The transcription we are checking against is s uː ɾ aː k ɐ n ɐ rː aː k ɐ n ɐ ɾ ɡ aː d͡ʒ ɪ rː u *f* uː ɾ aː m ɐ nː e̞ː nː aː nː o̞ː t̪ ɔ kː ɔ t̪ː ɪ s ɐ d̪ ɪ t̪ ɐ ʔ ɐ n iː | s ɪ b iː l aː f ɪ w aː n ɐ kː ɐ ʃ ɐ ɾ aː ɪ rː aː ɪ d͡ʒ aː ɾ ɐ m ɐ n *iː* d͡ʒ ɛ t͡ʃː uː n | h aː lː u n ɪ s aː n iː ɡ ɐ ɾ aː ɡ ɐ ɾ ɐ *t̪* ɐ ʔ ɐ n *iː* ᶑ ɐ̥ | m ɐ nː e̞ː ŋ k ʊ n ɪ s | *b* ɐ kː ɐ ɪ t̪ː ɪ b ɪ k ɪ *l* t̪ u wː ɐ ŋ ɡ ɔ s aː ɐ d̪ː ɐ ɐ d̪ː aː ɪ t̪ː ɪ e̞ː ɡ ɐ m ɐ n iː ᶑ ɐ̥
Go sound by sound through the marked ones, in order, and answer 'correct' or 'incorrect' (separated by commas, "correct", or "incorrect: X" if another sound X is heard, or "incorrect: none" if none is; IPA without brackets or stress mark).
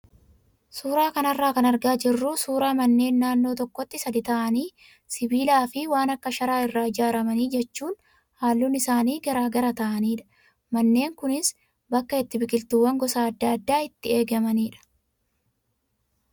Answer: incorrect: s, correct, correct, correct, correct, correct